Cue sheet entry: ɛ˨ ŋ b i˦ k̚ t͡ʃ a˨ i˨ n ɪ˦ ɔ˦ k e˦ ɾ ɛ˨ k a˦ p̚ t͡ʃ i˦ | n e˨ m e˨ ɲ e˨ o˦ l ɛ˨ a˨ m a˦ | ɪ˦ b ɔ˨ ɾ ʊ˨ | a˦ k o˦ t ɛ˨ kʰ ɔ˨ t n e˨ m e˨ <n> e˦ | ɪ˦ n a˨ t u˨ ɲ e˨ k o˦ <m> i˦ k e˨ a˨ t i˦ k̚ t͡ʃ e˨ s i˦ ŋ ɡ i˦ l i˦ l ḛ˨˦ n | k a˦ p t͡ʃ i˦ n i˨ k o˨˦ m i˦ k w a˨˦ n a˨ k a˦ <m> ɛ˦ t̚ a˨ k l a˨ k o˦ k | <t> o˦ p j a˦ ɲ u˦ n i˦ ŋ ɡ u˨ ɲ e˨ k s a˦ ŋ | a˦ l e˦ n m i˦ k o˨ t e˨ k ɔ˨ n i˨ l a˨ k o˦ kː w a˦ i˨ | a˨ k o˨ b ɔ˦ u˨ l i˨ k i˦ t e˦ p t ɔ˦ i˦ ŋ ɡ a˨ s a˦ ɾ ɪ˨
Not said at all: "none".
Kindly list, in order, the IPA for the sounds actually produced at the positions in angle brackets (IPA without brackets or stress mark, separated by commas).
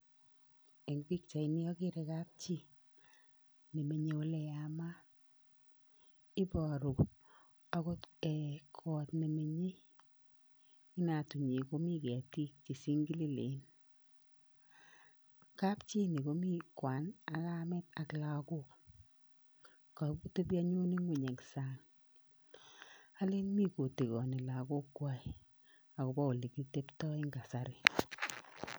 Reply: ɲ, m, m, t